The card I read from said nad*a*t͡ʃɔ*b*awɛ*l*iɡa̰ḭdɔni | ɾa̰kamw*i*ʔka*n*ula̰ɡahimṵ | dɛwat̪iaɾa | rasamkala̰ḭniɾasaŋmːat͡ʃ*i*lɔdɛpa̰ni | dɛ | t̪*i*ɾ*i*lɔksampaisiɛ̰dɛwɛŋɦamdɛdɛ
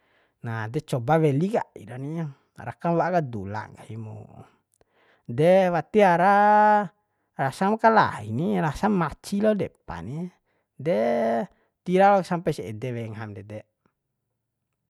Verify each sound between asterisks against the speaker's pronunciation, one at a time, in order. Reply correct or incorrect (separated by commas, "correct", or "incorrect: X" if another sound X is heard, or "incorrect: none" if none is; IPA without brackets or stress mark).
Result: incorrect: ɛ, correct, correct, incorrect: a, incorrect: d, correct, correct, incorrect: a